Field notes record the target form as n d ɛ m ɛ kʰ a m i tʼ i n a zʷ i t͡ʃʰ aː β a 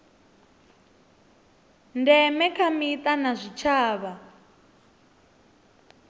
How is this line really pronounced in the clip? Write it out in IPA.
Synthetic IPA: n d ɛ m ɛ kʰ a m i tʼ a n a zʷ i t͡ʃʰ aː β a

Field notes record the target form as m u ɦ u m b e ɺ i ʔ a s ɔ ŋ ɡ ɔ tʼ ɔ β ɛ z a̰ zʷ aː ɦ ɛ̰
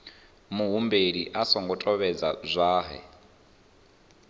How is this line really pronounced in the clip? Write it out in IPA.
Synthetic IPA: m u ɦ u m b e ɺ i ʔ a s ɔ ŋ ɡ ɔ tʼ ɔ β ɛ d͡z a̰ zʷ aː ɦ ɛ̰

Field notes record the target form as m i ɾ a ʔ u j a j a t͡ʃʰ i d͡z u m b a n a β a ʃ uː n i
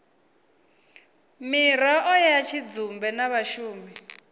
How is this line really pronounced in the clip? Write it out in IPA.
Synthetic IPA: m i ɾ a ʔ ɔ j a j a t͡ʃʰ i d͡z u m b ɛ n a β a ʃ uː m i

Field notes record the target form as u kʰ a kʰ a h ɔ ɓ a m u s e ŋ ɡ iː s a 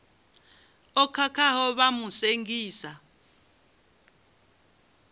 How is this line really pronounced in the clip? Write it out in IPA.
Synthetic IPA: ɔ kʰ a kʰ a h ɔ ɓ a m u s e ŋ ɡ iː s a

